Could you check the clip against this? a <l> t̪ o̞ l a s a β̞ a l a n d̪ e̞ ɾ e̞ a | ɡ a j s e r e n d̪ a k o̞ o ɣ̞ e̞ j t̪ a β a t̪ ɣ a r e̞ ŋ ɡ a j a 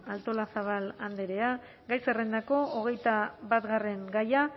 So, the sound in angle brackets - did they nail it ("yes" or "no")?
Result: yes